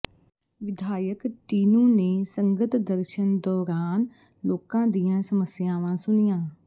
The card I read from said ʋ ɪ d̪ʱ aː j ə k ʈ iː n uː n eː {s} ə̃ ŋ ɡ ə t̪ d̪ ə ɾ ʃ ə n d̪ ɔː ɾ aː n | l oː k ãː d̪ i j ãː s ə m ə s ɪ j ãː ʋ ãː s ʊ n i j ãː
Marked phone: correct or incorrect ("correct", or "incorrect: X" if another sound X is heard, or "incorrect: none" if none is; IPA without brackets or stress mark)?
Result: correct